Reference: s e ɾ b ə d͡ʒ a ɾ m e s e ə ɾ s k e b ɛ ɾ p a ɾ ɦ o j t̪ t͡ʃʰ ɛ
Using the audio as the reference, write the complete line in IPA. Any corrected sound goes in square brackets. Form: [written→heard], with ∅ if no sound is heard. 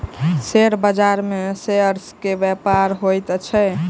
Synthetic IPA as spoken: s e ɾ b ə d͡ʒ a ɾ m e s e ə ɾ s k e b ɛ [ɾ→∅] p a ɾ ɦ o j t̪ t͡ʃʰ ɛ